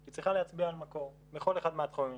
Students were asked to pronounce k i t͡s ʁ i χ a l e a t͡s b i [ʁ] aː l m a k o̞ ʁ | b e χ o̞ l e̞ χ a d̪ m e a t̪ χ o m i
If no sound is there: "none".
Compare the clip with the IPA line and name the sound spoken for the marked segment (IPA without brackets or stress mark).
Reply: none